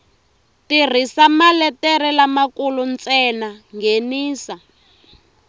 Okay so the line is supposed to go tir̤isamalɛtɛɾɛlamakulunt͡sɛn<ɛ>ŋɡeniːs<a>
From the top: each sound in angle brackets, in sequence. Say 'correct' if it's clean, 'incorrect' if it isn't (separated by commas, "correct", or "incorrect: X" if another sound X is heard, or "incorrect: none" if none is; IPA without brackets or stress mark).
incorrect: a, correct